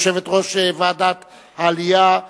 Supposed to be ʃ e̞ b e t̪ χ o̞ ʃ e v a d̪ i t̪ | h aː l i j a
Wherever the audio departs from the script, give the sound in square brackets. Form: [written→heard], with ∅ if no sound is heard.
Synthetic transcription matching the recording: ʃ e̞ [b→v] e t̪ [χ→ʁ] o̞ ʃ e v a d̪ [i→a] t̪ | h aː l i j a

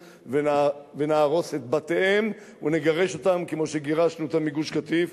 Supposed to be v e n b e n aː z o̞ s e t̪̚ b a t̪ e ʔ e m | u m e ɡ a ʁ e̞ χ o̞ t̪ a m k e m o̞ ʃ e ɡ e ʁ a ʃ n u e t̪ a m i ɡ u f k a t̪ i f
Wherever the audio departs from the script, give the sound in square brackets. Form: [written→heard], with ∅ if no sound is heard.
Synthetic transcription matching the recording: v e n [b→v] e n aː [z→ʁ] o̞ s e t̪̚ b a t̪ e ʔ e m | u [m→n] e ɡ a ʁ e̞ [χ→ʃ] o̞ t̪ a m k e m o̞ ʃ e ɡ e ʁ a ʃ n u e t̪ a m i ɡ u [f→ʃ] k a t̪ i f

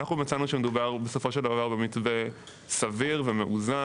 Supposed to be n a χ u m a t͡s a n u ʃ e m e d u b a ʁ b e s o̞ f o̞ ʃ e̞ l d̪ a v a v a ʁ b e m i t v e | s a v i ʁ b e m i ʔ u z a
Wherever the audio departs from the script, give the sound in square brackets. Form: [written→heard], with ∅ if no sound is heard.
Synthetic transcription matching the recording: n a χ u m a t͡s a n u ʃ e m e d u b a ʁ b e s o̞ f o̞ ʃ e̞ l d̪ a v a v a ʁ b e m i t v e | s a v i ʁ [b→v] e m [i→e] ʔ u z a

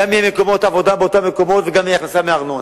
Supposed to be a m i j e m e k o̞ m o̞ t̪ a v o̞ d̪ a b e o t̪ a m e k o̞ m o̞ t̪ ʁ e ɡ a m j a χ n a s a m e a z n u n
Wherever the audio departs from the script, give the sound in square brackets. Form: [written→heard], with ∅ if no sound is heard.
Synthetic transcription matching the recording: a m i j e m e k o̞ m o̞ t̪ a v o̞ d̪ a b e o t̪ a m e k o̞ m o̞ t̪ [ʁ→v] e ɡ a m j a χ n a s a m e a [z→ʁ] n [u→o] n

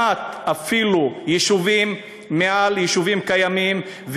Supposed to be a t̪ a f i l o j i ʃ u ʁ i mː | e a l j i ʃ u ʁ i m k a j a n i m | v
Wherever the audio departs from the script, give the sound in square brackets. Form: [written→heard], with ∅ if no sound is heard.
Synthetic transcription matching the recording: a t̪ a f i l [o→u] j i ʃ u [ʁ→v] i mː | e a l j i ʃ u [ʁ→v] i m k a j a [n→m] i m | v

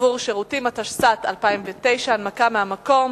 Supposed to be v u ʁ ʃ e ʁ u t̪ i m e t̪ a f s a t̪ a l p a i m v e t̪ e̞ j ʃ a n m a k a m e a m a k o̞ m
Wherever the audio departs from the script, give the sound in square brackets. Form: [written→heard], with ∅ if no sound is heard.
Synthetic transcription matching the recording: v u ʁ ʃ e ʁ u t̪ i m [e→a] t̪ a [f→ʃ] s a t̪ a l p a i m v e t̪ e̞ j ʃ a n m a k a m e a m a k o̞ m

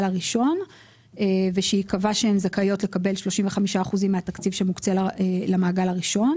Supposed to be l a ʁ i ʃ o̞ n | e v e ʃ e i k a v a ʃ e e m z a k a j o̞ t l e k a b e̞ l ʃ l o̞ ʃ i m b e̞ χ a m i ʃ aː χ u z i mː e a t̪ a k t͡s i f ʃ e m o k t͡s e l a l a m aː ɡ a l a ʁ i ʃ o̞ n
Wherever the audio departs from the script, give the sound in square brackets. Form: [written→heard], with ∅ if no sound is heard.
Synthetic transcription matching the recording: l a ʁ i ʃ o̞ n | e v e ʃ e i k a v a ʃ e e m z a k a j o̞ t l e k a b e̞ l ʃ l o̞ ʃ i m [b→v] e̞ χ a m i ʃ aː χ u z i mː e a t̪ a k t͡s i [f→v] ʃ e m [o→u] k t͡s e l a l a m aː ɡ a l a ʁ i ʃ o̞ n

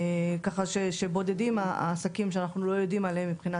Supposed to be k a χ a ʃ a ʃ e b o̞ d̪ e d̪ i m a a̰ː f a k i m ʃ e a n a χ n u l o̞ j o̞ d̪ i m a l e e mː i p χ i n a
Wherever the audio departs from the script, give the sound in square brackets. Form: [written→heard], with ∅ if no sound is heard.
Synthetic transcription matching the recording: k a χ a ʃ [a→e] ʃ e b o̞ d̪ e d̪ i m a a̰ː [f→s] a k i m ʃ e a n a χ n u l o̞ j o̞ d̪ i m a l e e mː i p χ i n a

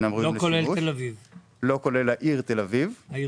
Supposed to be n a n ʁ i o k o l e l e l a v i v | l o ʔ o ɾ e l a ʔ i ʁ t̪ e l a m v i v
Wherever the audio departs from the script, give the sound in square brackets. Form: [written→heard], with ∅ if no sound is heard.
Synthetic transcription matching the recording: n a [n→m] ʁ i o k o l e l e l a v i v | l o [ʔ→k] o [ɾ→l] e l a ʔ i ʁ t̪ e l a [m→∅] v i v

